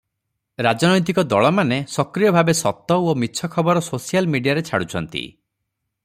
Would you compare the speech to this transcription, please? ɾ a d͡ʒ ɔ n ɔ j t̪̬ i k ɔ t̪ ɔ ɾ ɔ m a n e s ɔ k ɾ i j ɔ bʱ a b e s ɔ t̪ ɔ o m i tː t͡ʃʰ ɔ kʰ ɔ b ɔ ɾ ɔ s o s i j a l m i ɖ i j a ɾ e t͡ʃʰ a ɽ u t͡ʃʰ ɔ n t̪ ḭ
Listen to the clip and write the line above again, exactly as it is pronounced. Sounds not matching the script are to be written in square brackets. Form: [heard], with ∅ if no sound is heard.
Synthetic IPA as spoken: ɾ a d͡ʒ ɔ n ɔ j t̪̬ i k ɔ [d̪] ɔ [ɭ] ɔ m a n e s ɔ k ɾ i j ɔ bʱ a b e s ɔ t̪ ɔ o m i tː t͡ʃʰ ɔ kʰ ɔ b ɔ ɾ ɔ s o s i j a l m i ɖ i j a ɾ e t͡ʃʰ a ɽ u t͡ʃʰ ɔ n t̪ ḭ